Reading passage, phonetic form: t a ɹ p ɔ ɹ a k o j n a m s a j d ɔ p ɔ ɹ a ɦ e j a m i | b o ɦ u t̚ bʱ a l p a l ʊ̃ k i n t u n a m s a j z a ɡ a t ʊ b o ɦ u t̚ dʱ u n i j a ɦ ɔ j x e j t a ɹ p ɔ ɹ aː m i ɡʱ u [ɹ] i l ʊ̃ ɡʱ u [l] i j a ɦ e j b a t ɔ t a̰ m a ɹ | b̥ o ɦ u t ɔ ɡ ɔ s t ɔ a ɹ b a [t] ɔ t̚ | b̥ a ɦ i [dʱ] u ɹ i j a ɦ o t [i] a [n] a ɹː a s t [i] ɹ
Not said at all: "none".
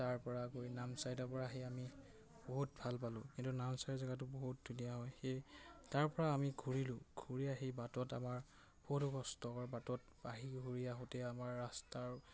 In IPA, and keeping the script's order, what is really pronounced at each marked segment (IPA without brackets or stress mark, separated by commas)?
ɹ, ɹ, t, ɡʱ, ɛ, m, a